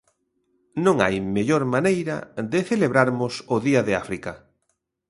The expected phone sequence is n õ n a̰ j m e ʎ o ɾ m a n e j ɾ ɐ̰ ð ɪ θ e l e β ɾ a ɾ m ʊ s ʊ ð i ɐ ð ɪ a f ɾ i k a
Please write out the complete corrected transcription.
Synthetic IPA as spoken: n õ ŋ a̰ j m e ʎ o ɾ m a n e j ɾ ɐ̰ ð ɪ θ e l e β ɾ a ɾ m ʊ s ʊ ð i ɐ ð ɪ a f ɾ i k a